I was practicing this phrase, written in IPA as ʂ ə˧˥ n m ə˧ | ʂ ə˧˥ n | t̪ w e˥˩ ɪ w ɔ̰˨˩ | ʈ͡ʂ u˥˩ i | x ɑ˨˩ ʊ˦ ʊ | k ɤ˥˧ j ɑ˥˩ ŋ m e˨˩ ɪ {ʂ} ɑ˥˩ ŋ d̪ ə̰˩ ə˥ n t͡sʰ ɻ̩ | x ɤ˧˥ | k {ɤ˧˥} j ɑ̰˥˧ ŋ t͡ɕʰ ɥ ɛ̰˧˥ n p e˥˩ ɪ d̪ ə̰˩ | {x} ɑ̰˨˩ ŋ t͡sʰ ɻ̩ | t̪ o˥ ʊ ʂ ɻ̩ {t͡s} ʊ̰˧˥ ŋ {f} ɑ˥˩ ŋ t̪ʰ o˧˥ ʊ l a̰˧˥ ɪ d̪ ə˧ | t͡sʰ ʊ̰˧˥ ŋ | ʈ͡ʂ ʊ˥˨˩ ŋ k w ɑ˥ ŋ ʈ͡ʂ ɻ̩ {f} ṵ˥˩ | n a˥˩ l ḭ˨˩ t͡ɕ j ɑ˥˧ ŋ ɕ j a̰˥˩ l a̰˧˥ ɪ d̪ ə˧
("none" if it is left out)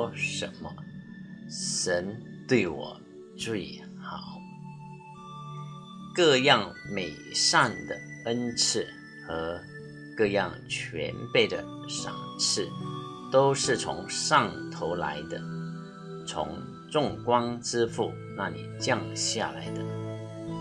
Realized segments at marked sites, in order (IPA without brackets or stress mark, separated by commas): ʂ, ɤ˥˧, ʂ, t͡sʰ, ʂ, f